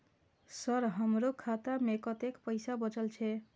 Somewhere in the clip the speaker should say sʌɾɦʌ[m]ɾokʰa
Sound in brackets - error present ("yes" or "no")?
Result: no